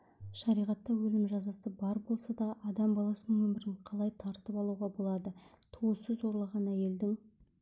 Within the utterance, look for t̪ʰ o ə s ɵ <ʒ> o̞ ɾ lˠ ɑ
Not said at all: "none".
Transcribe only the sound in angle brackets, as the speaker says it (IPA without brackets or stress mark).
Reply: z